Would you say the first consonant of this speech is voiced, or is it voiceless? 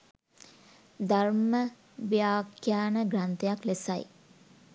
voiced